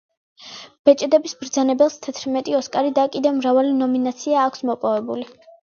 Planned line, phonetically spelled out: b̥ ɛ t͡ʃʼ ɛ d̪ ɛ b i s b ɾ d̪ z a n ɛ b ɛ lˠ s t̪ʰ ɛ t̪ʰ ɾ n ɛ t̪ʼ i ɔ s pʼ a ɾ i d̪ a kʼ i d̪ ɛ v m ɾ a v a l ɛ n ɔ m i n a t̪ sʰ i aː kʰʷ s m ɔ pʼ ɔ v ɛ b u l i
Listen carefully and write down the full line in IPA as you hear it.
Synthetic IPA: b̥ ɛ t͡ʃʼ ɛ d̪ ɛ b i s b ɾ d̪ z a n ɛ b ɛ lˠ s t̪ʰ ɛ t̪ʰ ɾ m ɛ t̪ʼ i ɔ s kʼ a ɾ i d̪ a kʼ i d̪ ɛ v m ɾ a v a l i n ɔ m i n a t̪ sʰ i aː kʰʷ s m ɔ pʼ ɔ v ɛ b u l i